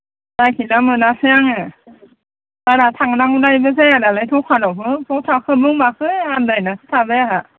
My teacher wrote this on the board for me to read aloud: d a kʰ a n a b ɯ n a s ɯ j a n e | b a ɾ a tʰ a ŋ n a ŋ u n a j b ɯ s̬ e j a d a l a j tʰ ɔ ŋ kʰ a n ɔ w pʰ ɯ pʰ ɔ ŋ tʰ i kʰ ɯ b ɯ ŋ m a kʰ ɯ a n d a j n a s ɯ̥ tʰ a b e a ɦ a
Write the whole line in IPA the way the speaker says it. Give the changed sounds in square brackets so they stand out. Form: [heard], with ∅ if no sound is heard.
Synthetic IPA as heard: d a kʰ [i] n a [m] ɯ n a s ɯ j a [ŋ] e | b a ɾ a tʰ a ŋ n a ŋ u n a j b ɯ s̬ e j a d a l a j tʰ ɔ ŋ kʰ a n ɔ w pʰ ɯ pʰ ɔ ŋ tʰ [a] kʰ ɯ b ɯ ŋ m a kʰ ɯ a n d a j n a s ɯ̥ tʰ a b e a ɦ a